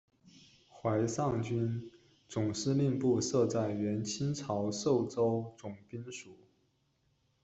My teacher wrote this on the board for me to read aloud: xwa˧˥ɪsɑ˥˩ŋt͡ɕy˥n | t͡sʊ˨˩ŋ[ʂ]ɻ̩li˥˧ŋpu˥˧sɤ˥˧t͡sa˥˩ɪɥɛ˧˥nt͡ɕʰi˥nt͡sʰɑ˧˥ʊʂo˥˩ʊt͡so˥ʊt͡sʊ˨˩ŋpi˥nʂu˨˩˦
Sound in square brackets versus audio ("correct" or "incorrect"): correct